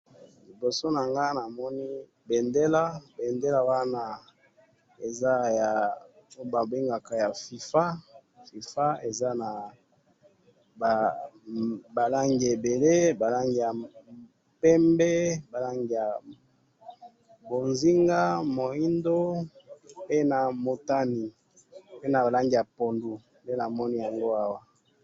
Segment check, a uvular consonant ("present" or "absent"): absent